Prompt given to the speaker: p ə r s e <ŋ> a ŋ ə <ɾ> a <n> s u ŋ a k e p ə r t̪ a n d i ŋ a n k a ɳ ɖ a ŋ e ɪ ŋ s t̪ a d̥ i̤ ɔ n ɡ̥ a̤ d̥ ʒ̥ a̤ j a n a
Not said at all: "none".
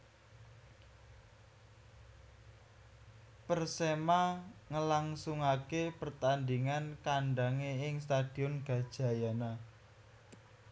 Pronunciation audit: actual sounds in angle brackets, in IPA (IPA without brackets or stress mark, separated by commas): m, l, ŋ